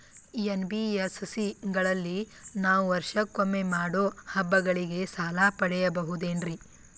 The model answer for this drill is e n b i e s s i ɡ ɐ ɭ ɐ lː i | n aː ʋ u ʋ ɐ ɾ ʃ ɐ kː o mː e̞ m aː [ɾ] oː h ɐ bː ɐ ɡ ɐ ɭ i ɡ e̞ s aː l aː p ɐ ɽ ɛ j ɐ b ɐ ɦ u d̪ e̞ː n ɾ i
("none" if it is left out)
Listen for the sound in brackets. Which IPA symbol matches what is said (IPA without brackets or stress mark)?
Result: ɽ